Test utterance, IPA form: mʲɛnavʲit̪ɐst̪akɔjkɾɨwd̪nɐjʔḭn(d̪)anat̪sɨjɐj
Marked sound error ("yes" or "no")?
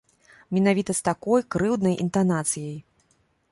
yes